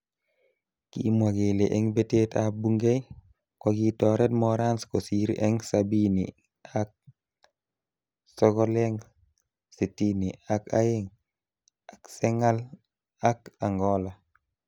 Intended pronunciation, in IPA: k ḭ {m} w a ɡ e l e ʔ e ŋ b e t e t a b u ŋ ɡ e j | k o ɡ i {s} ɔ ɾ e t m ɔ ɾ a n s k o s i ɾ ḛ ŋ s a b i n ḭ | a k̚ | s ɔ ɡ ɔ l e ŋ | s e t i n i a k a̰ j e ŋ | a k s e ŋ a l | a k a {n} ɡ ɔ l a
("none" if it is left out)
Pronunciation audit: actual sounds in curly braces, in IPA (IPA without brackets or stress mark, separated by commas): m, t, ŋ